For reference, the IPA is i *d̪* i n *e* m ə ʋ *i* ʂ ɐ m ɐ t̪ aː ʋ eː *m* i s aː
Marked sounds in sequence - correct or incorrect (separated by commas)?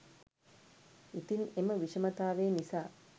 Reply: incorrect, correct, correct, incorrect